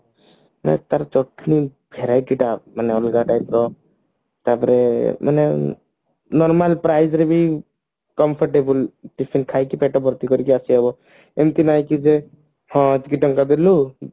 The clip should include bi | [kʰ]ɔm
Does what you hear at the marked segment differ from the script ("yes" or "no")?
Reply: yes